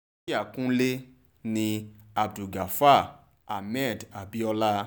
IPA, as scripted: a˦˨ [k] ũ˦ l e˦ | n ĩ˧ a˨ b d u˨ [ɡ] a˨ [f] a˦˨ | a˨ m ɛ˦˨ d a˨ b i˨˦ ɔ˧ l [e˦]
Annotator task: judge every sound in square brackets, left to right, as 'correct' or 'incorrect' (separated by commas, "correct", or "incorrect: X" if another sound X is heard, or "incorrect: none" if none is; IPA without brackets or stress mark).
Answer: correct, correct, correct, incorrect: a˦